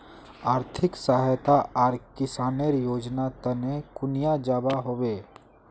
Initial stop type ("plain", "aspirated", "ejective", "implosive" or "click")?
aspirated